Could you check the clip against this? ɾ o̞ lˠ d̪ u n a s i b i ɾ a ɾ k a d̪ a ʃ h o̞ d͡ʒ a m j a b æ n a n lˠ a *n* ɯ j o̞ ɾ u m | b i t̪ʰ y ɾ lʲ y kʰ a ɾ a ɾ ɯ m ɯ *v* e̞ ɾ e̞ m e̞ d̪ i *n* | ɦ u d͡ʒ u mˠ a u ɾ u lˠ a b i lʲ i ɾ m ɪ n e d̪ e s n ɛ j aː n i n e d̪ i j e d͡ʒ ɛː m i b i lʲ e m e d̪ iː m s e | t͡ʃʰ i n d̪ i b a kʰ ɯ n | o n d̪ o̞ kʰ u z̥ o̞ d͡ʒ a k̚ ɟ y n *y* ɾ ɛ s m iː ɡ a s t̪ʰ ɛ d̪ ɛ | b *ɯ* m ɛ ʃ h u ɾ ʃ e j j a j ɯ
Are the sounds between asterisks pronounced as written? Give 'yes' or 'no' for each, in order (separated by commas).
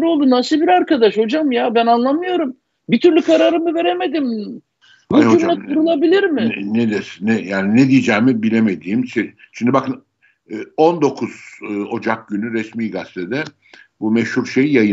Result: no, yes, no, yes, no